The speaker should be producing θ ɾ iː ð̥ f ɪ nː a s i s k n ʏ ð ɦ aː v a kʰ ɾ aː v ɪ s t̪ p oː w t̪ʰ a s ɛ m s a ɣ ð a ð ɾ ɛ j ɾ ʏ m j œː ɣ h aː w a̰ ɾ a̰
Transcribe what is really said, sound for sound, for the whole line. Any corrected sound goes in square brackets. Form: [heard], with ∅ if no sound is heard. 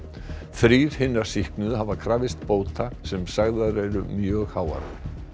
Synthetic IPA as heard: θ ɾ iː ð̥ [h] ɪ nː a s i [h] k n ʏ ð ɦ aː v a kʰ ɾ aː v ɪ s t̪ p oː w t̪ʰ a s ɛ m s a ɣ ð a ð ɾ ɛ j ɾ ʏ m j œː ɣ h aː w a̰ ɾ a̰